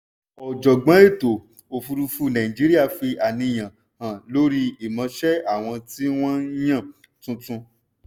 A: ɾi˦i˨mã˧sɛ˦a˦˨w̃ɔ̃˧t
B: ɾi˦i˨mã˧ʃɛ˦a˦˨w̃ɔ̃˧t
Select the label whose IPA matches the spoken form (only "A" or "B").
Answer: B